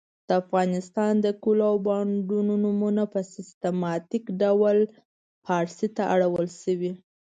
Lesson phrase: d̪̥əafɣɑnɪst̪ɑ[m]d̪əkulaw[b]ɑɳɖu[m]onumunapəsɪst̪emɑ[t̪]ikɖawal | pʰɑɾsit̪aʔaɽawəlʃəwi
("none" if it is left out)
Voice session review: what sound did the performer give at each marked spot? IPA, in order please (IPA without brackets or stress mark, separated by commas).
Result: n, b, n, t̪